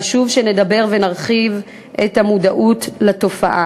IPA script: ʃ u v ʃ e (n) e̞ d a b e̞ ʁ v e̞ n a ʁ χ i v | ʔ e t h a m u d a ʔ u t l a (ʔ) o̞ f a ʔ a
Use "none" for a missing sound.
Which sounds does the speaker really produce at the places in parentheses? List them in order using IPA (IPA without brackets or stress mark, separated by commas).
n, t